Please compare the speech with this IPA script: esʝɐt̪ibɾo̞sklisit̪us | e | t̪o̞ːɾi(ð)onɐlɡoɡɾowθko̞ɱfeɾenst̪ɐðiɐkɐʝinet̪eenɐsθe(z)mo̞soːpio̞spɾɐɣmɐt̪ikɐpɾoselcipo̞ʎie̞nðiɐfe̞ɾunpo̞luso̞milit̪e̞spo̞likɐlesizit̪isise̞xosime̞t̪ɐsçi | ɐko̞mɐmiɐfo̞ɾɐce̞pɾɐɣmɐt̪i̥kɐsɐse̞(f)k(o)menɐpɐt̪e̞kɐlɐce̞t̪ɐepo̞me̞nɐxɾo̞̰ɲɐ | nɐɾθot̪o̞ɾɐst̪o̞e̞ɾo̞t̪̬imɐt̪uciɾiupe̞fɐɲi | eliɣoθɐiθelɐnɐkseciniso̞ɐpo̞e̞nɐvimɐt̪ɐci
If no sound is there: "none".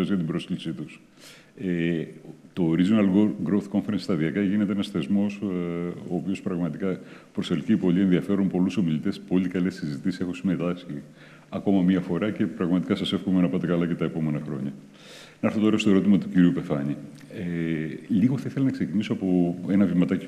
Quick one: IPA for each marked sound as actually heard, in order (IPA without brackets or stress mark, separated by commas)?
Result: z, z, f, o